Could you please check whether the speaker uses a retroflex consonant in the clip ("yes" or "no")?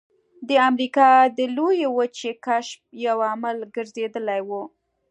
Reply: no